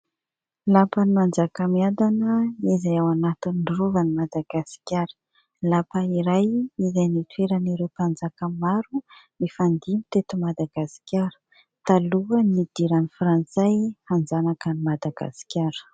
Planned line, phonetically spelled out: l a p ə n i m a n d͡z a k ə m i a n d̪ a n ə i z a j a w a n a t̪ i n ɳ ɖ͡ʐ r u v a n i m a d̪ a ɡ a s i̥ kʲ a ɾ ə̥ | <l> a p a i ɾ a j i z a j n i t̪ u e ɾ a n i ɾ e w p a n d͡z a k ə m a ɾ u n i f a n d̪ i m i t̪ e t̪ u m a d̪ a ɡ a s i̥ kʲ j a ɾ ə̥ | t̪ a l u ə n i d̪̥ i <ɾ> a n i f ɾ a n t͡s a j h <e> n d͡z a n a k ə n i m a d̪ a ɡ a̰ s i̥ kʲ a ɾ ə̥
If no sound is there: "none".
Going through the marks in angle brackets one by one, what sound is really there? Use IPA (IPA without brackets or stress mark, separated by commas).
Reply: l, ɾ, a